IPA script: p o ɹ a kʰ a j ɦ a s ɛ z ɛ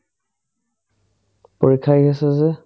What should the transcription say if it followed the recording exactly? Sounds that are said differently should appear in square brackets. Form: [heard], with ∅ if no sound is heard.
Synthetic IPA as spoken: p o ɹ [i] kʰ a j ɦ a s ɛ z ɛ